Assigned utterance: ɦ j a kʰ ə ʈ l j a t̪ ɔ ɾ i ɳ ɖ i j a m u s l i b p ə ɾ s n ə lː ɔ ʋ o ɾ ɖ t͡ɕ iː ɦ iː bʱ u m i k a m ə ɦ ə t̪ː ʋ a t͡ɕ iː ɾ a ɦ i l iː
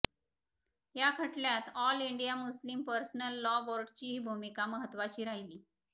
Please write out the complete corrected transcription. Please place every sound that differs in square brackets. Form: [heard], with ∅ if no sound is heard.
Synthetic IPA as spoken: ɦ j a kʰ ə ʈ l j a t̪ ɔ [l] i ɳ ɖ i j a m u s l i [m] p ə ɾ s n ə lː ɔ ʋ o ɾ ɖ t͡ɕ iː ɦ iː bʱ u m i k a m ə ɦ ə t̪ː ʋ a t͡ɕ iː ɾ a ɦ i l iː